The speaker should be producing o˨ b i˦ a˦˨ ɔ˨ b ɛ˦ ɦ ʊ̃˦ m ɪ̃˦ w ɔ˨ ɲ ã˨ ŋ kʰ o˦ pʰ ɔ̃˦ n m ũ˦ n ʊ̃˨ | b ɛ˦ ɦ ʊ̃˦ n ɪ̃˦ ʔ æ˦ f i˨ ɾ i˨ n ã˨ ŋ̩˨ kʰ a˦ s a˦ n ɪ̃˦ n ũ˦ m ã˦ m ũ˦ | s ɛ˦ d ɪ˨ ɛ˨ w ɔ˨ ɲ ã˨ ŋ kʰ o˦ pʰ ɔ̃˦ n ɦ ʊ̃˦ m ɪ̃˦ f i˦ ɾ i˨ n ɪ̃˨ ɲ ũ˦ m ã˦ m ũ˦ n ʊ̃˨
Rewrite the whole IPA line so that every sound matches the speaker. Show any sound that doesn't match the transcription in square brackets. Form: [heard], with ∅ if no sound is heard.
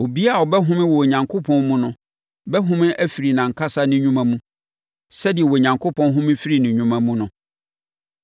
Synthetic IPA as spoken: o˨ b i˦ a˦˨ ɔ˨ b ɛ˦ ɦ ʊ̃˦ m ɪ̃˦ w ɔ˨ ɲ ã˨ ŋ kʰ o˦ pʰ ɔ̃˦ n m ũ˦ n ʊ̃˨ | b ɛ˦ ɦ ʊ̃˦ [m] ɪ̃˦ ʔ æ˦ f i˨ ɾ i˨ n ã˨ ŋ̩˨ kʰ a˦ s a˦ n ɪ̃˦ [ɲ] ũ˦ m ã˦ m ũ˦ | s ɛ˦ d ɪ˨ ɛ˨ w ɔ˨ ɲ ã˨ ŋ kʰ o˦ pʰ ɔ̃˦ n ɦ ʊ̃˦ m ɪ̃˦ f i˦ ɾ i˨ n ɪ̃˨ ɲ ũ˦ m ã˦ m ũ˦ n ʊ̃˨

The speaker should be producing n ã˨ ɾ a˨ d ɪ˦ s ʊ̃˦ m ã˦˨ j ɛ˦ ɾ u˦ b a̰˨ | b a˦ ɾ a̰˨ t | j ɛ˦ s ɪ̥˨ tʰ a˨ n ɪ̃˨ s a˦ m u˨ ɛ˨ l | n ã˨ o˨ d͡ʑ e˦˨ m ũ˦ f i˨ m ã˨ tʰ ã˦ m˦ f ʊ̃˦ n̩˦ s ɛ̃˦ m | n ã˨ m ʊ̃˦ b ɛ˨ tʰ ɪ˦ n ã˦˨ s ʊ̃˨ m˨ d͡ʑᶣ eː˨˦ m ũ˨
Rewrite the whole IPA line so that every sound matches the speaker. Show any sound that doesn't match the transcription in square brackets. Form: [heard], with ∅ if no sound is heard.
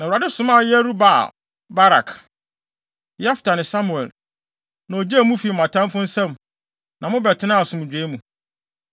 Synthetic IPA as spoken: n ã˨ ɾ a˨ d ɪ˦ s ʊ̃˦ m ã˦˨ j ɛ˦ ɾ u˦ b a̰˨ | b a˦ ɾ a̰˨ [k] | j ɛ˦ [f] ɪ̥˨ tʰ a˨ n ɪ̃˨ s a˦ m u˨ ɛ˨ l | n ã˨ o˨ d͡ʑ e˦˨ m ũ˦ f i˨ m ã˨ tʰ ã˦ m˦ f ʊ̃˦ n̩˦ s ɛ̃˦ m | n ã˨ m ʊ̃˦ b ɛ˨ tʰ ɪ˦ n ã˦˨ s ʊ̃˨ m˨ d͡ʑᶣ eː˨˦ m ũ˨

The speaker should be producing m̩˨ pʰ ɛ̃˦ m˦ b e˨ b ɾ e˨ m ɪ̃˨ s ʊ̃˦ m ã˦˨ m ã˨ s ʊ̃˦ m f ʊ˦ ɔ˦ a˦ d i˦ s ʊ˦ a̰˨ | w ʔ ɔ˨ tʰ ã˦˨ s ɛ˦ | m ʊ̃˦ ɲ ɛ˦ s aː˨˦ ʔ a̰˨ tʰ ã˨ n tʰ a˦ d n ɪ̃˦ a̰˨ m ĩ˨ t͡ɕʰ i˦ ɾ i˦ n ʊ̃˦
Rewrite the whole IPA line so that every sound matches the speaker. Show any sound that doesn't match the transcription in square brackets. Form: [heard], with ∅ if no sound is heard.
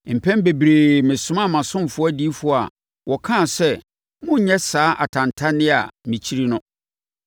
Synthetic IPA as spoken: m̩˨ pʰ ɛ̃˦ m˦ b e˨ b ɾ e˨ m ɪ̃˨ s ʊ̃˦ m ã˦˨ m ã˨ s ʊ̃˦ m f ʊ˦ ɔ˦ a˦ d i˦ [f] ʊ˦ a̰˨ | w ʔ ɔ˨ [kʰ] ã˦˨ s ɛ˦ | m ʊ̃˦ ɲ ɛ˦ s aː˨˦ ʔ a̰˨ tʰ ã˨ n tʰ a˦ [∅] n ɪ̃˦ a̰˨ m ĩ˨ t͡ɕʰ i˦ ɾ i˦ n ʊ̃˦

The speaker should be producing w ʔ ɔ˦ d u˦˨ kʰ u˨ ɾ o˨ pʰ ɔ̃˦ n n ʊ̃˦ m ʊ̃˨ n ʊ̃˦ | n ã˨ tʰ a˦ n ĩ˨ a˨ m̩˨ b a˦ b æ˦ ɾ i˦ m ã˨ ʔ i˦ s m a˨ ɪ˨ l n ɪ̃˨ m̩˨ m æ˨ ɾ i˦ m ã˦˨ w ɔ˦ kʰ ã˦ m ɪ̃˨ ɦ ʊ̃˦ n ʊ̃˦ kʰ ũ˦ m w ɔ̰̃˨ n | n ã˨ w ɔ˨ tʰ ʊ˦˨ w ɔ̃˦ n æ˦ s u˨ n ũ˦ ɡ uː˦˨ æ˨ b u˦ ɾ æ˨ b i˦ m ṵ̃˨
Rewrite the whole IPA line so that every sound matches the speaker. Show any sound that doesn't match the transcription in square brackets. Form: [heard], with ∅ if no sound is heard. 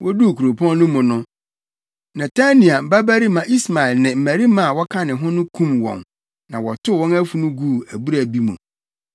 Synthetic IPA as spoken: w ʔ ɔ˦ d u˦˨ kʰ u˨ ɾ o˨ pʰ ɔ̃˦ n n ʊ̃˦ m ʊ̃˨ n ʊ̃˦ | n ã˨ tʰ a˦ n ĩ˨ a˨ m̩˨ b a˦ b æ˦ ɾ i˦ m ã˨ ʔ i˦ s m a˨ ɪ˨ l n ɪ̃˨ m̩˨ m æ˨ ɾ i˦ m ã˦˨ w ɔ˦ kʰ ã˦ [n] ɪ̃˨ ɦ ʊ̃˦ n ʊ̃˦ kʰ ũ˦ m w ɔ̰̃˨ n | n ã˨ w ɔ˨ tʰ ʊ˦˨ w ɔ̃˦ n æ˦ [f] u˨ n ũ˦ ɡ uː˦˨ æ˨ b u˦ ɾ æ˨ b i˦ m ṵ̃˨

